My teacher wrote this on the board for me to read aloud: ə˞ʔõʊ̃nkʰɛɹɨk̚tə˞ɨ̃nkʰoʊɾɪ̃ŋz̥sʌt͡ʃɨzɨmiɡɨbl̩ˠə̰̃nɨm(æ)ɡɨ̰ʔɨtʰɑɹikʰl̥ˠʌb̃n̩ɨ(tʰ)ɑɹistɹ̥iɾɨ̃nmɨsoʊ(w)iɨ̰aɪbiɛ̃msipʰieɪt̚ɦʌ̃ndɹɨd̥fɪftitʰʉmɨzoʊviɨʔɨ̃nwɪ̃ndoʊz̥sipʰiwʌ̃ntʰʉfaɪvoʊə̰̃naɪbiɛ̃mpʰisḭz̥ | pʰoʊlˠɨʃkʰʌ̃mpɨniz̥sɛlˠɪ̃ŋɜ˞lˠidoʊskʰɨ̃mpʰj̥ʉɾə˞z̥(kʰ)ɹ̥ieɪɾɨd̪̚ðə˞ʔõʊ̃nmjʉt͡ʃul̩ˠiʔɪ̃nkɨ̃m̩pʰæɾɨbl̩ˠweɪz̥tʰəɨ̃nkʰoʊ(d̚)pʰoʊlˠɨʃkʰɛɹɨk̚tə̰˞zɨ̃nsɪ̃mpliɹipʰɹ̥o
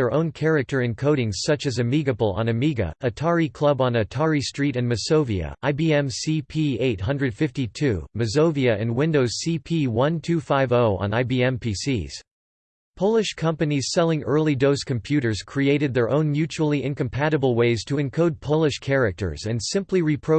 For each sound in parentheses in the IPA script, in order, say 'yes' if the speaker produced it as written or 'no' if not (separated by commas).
no, yes, no, yes, yes